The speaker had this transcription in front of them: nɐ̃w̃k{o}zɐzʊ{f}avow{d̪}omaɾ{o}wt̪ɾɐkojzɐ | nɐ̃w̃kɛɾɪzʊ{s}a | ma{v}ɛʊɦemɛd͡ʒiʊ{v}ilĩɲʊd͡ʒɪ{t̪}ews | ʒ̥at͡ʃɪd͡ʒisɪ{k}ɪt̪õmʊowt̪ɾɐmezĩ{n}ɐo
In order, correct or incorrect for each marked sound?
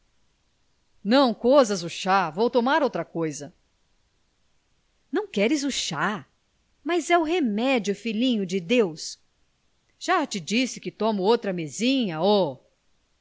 correct, incorrect: ʃ, incorrect: t̪, correct, incorrect: ʃ, incorrect: z, incorrect: f, incorrect: d̪, correct, incorrect: ɲ

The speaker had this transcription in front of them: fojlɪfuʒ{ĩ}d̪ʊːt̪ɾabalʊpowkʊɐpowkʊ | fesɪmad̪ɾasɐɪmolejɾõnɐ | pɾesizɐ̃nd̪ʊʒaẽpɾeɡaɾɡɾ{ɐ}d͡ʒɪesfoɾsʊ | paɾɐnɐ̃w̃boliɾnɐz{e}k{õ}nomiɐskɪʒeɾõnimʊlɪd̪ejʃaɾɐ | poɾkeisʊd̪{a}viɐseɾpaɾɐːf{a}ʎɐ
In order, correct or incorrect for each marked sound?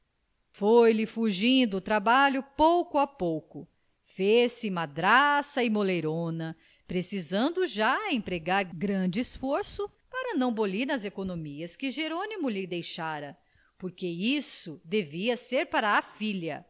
correct, incorrect: ɐ̃, correct, incorrect: o, incorrect: e, incorrect: i

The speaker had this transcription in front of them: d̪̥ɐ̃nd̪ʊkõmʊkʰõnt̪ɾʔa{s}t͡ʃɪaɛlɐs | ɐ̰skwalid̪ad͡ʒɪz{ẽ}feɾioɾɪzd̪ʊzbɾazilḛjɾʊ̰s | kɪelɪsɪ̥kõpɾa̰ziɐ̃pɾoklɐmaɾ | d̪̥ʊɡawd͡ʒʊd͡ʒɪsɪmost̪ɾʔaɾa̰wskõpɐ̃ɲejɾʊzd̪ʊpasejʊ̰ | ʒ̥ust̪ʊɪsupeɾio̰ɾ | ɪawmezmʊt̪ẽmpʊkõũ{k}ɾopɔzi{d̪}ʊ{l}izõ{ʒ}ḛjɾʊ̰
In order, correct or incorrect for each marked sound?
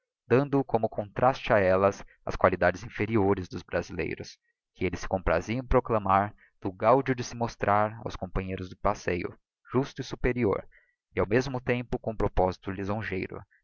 correct, incorrect: ĩ, incorrect: p, incorrect: t̪, correct, correct

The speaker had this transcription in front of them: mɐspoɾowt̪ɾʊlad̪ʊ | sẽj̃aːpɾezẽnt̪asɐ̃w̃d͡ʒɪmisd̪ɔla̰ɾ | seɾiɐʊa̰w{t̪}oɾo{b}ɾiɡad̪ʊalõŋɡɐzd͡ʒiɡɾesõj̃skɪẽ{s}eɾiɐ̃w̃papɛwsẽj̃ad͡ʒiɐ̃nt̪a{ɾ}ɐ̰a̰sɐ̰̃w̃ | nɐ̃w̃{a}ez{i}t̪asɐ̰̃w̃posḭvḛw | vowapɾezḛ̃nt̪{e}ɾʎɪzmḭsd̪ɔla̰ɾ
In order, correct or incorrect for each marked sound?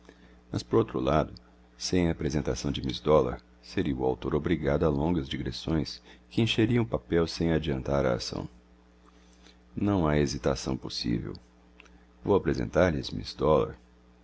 correct, correct, incorrect: ʃ, correct, correct, correct, incorrect: a

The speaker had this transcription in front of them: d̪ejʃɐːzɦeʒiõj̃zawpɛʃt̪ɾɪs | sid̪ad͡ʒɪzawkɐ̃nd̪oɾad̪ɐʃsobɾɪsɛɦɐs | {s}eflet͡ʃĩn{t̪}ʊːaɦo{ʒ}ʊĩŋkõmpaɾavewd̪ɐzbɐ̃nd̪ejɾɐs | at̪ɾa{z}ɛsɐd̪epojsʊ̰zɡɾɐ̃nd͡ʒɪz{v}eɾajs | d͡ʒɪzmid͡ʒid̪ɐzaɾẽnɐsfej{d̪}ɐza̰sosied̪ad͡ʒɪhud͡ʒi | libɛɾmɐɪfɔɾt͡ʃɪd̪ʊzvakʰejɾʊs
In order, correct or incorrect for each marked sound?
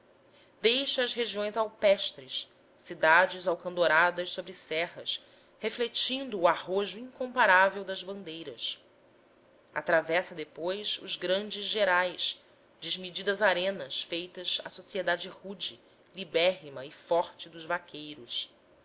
incorrect: h, incorrect: d̪, correct, incorrect: v, incorrect: ʒ, incorrect: t̪

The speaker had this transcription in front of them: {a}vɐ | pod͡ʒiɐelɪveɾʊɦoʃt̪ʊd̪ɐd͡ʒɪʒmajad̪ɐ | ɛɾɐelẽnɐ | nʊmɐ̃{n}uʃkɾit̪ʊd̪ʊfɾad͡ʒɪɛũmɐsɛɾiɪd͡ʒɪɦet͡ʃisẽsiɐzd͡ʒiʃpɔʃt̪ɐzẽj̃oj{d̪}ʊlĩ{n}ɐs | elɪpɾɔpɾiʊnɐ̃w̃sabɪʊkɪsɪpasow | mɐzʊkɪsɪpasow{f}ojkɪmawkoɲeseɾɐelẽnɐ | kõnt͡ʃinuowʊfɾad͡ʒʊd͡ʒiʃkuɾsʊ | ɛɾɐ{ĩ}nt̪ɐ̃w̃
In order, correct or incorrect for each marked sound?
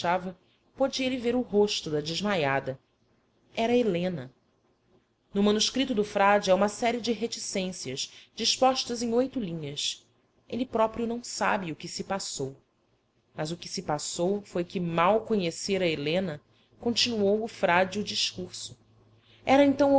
correct, correct, incorrect: t̪, incorrect: ɲ, correct, incorrect: ẽ

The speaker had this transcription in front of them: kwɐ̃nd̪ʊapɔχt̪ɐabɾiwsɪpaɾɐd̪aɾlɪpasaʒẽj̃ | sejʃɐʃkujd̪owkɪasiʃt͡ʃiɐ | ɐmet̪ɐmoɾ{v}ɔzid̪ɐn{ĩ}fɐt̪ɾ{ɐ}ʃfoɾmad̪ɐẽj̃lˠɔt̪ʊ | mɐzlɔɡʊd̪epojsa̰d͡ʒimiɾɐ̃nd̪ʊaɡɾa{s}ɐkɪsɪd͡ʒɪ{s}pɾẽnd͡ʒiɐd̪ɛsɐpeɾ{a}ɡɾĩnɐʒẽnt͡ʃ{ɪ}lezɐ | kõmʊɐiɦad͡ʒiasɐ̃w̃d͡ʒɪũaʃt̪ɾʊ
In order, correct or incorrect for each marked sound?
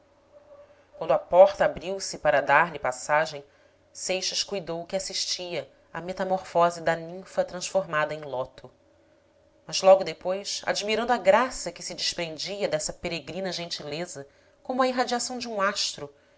incorrect: f, correct, incorrect: ɐ̃, correct, incorrect: ʃ, incorrect: e, incorrect: i

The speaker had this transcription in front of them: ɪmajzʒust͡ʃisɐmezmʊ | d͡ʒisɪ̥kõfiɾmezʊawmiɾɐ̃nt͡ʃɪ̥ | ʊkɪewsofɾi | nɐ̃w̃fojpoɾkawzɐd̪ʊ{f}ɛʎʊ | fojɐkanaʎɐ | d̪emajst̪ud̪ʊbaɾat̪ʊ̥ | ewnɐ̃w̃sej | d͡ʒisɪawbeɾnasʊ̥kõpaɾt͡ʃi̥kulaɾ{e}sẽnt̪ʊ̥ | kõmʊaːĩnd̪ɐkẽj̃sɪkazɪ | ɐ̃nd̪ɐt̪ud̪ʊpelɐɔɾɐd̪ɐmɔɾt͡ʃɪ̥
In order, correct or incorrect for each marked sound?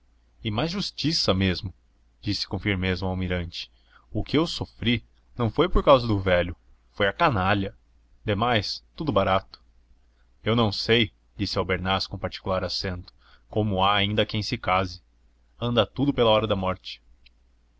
incorrect: v, incorrect: a

